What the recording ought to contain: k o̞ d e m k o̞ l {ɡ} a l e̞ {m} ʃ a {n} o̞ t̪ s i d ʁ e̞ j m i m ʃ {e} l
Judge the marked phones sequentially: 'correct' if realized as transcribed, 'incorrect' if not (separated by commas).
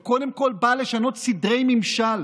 incorrect, incorrect, correct, incorrect